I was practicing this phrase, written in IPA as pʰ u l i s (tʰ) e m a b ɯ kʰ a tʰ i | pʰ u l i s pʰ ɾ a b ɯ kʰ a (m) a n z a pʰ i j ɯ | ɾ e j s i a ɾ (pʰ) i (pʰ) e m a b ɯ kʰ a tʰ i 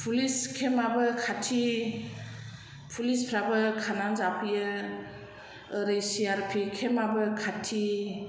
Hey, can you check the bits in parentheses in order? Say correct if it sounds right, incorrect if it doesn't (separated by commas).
incorrect, incorrect, correct, incorrect